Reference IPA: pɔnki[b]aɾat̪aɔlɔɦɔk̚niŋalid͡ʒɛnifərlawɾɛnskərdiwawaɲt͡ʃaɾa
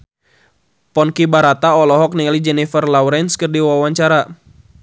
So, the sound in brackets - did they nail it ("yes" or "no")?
yes